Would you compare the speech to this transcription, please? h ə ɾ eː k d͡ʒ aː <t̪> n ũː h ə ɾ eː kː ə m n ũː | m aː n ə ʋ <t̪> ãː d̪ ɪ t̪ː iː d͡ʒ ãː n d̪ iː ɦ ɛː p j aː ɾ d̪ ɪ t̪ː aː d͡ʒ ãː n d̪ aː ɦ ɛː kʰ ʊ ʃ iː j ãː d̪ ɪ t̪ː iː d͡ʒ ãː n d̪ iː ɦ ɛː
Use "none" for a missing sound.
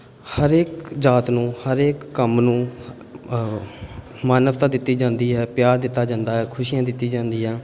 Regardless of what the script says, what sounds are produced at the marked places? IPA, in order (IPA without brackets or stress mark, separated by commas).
t̪, t̪